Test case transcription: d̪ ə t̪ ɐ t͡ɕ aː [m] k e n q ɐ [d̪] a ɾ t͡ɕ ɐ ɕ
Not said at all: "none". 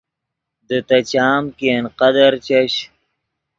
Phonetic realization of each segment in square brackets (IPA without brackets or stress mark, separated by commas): m, d̪